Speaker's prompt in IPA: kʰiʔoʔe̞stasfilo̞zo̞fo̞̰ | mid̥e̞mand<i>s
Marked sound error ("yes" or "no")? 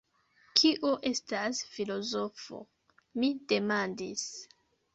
no